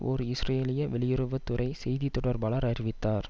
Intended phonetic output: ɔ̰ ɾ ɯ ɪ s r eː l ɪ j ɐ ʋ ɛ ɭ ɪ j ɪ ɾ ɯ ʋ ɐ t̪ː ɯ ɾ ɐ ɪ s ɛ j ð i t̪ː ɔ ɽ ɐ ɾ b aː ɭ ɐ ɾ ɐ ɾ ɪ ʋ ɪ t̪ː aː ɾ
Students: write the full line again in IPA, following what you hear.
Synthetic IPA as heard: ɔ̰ ɾ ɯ ɪ s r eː l ɪ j ɐ ʋ ɛ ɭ ɪ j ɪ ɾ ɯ ʋ ɐ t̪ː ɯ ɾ ɐ ɪ s ɛ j ð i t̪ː ɔ ɽ ɐ ɾ b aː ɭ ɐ ɾ ɐ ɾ ɪ ʋ ɪ t̪ː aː ɾ